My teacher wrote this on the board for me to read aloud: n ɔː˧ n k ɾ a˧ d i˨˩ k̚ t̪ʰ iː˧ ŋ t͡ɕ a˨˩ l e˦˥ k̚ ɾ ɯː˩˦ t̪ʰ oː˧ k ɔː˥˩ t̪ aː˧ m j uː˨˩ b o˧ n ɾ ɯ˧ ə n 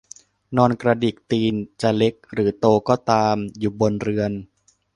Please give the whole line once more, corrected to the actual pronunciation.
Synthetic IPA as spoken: n ɔː˧ n k ɾ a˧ d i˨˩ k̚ t̪ iː˧ n t͡ɕ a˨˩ l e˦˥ k̚ ɾ ɯː˩˦ t̪ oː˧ k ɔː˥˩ t̪ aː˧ m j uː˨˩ b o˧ n ɾ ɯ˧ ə n